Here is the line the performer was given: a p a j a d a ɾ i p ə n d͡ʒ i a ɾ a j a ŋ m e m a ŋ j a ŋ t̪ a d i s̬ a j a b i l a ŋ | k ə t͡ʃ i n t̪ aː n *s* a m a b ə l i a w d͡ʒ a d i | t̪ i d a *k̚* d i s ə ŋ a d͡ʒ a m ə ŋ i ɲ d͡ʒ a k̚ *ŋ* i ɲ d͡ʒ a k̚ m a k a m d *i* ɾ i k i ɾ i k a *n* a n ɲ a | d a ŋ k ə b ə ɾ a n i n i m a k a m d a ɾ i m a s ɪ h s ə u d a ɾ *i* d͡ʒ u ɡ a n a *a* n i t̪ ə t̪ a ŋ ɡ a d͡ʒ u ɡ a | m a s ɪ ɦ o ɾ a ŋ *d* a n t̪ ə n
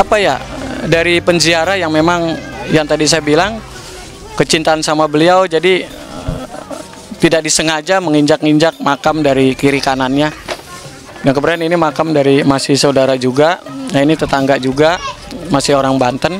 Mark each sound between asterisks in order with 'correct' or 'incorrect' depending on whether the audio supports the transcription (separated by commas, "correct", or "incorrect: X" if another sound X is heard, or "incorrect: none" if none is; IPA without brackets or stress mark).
correct, correct, correct, incorrect: a, correct, incorrect: a, incorrect: i, incorrect: b